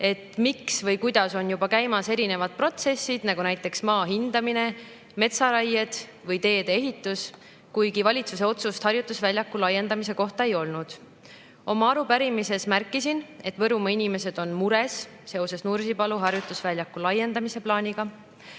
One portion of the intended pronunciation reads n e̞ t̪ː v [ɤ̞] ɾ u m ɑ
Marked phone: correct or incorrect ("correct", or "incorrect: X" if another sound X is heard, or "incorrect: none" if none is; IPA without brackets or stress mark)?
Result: correct